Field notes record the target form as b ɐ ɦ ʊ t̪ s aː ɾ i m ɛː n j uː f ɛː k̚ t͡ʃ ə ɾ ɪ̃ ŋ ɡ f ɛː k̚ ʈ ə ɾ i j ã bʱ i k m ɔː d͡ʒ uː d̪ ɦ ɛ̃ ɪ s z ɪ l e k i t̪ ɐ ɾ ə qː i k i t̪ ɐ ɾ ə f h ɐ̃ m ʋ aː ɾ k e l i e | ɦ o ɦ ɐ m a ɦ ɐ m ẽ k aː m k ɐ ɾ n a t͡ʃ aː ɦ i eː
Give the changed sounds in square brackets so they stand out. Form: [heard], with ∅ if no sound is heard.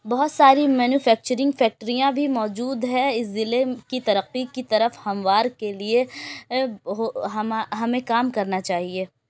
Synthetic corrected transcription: b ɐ ɦ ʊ t̪ s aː ɾ i m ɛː n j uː f ɛː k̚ t͡ʃ ə ɾ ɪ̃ ŋ ɡ f ɛː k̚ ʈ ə ɾ i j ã bʱ i [∅] m ɔː d͡ʒ uː d̪ ɦ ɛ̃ ɪ s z ɪ l e k i t̪ ɐ ɾ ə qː i k i t̪ ɐ ɾ ə f h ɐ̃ m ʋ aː ɾ k e l i e | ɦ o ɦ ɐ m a ɦ ɐ m ẽ k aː m k ɐ ɾ n a t͡ʃ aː ɦ i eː